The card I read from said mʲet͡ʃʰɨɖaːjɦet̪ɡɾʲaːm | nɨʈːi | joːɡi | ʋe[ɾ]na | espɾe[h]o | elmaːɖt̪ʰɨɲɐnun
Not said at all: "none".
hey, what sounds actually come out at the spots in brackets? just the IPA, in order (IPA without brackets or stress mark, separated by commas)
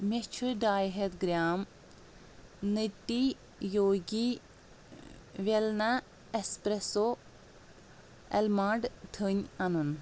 l, s